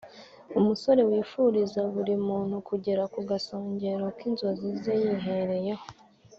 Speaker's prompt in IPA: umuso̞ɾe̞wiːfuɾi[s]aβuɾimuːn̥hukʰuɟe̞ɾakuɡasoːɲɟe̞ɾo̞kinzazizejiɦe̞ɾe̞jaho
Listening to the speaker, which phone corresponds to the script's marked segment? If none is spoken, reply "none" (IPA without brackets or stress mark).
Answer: z